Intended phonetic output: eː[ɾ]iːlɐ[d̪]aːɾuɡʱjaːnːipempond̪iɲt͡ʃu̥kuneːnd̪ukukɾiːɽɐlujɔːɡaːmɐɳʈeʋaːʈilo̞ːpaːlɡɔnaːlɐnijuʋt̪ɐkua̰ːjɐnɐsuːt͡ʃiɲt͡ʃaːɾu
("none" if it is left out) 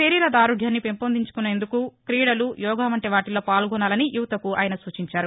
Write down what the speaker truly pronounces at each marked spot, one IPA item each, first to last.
ɾ, d̪

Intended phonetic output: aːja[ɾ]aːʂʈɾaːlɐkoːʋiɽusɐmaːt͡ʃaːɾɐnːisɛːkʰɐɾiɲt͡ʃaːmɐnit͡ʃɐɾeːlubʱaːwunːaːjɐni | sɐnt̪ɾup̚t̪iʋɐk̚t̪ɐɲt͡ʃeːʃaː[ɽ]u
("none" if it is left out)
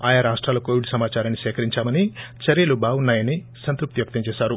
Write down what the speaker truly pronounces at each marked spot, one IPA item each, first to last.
ɾ, ɾ

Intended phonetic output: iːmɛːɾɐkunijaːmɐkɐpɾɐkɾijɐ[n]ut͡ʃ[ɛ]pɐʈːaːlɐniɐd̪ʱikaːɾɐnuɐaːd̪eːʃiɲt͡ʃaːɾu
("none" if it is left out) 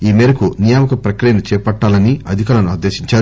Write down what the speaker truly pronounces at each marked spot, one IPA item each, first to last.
n, ɛː

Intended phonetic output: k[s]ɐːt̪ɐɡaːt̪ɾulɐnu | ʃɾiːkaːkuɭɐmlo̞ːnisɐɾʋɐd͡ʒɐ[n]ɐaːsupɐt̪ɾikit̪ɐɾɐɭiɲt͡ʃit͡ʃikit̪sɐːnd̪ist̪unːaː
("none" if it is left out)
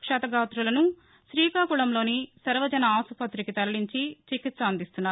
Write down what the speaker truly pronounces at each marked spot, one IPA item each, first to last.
ʂ, n

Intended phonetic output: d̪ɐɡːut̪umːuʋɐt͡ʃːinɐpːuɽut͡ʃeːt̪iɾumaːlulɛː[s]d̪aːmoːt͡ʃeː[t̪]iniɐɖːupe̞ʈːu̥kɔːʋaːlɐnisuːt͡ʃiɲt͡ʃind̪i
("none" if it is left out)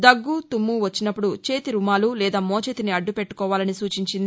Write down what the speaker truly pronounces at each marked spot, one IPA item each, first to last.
none, t̪

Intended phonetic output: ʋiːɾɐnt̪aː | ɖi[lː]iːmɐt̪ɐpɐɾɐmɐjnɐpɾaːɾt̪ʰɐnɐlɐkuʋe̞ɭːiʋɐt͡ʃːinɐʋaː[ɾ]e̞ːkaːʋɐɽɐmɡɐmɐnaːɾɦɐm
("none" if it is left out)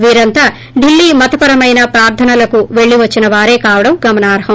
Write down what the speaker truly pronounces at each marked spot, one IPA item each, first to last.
lː, ɾ

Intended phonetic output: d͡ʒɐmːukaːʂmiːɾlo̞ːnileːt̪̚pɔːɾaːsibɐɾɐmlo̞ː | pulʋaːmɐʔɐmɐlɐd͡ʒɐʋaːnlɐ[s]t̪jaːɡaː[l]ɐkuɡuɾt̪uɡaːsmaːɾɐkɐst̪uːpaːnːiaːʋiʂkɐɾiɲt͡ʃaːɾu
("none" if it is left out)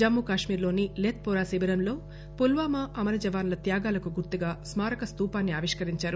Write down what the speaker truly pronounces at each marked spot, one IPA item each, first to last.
none, l

